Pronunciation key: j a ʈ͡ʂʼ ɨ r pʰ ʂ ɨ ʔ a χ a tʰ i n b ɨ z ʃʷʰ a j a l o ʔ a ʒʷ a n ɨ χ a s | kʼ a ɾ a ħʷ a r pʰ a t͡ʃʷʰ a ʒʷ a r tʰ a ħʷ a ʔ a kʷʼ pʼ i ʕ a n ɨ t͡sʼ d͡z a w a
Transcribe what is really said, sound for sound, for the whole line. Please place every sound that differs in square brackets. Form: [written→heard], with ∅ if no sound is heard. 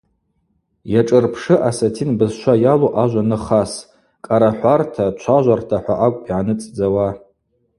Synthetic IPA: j a ʈ͡ʂʼ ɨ r pʰ ʂ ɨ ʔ a [χ→s] a tʰ i n b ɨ z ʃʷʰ a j a l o ʔ a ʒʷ a n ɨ χ a s | kʼ a ɾ a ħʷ a r [pʰ→tʰ] a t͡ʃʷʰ a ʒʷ a r tʰ a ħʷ a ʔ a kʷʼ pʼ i ʕ a n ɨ t͡sʼ d͡z a w a